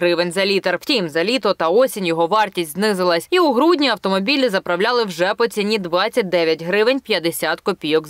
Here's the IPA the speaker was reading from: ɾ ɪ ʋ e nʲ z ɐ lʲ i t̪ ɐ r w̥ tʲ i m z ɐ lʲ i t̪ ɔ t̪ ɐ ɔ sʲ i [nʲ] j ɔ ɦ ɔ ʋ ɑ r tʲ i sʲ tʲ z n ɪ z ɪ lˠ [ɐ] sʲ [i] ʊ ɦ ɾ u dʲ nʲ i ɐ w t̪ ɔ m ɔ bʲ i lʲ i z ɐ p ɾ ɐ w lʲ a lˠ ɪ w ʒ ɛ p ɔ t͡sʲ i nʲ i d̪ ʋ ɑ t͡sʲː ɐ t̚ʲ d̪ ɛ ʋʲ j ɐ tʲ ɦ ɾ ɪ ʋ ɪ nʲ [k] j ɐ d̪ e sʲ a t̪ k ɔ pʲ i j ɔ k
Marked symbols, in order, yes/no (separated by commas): yes, yes, yes, no